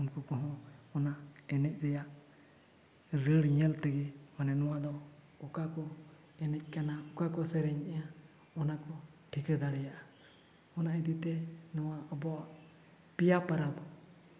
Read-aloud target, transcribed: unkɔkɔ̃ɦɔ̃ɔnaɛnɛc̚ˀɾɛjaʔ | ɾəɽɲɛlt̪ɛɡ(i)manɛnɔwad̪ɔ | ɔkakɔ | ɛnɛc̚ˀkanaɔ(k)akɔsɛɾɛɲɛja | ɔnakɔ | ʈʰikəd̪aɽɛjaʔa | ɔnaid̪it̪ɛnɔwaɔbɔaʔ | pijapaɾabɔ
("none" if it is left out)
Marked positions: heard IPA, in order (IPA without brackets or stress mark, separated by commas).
ɛ, k